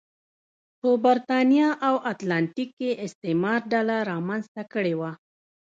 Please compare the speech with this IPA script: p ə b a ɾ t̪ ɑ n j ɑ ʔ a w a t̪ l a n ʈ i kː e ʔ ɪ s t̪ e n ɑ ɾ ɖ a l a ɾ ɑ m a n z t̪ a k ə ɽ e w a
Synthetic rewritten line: p ə b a ɾ t̪ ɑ n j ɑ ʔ a w a t̪ l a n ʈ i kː e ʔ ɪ s t̪ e m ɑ ɾ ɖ a l a ɾ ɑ m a n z t̪ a k ə ɽ e w a